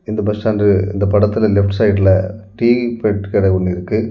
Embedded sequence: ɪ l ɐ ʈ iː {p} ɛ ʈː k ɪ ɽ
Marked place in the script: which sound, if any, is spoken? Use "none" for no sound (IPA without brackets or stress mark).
p